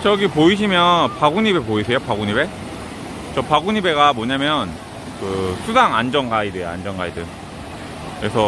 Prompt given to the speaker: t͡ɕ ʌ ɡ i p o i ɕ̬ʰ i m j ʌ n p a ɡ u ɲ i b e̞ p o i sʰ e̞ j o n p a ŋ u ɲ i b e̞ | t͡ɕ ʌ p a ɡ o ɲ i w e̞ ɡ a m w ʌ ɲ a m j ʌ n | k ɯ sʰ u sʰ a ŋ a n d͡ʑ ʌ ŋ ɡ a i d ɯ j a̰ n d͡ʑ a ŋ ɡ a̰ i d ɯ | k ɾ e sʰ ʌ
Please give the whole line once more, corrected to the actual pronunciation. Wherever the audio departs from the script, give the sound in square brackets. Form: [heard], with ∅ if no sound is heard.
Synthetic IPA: t͡ɕ ʌ ɡ i p o i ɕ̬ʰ i m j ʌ n p a ɡ u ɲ i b e̞ p o i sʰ e̞ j o [∅] p a [ɡ] u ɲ i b e̞ | t͡ɕ ʌ p a ɡ [u] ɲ i [b] e̞ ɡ a m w ʌ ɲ a m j ʌ n | k ɯ sʰ u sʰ a ŋ a n d͡ʑ ʌ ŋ ɡ a i d ɯ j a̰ n d͡ʑ [ʌ] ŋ ɡ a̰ i d ɯ | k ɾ e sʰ ʌ